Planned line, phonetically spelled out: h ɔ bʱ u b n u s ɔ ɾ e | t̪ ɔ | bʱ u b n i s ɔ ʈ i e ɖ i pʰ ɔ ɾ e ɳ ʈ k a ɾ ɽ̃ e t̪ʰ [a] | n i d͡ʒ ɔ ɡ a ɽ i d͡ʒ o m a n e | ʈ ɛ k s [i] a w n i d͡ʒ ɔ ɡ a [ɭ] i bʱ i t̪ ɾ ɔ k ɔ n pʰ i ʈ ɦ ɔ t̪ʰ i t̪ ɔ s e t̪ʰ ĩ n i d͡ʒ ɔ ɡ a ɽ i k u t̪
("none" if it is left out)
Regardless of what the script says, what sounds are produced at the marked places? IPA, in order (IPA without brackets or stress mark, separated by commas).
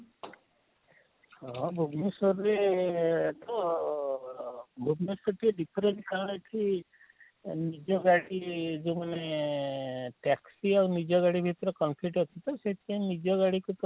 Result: i, i, ɽ